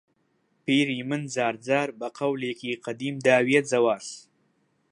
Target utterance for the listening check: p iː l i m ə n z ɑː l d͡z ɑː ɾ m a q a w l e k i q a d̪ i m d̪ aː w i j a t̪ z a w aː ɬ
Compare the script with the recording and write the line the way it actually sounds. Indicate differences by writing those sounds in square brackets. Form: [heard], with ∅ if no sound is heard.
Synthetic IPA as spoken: p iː [ɾ] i m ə n z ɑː [ɾ] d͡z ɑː ɾ [b] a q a w l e k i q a d̪ i m d̪ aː w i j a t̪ z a w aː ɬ